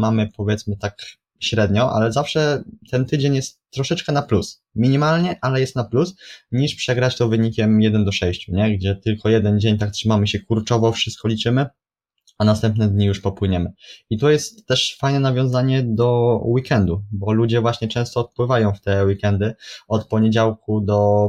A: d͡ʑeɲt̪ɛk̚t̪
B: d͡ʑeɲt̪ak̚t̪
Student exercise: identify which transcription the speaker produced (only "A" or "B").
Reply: B